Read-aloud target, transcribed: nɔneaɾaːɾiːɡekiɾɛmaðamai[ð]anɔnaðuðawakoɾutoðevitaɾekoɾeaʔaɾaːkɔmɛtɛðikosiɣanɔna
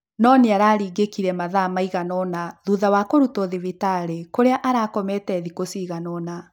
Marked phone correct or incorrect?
incorrect